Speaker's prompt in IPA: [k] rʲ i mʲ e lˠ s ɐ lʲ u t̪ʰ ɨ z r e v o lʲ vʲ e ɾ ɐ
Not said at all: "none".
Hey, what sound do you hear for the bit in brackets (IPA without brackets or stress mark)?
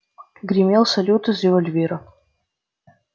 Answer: ɡ